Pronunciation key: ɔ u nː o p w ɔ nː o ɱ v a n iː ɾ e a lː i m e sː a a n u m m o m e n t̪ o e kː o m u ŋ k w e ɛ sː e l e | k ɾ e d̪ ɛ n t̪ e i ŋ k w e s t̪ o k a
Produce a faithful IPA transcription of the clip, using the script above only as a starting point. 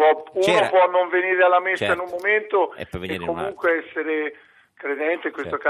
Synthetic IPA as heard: ɔ u n o p w ɔ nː o ɱ v e n iː ɾ e a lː a m e sː a i n u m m o m e n t̪ o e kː o m u ŋ k w e ɛ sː e ɾ e | k ɾ e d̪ ɛ n t̪ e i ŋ k w e s t̪ o k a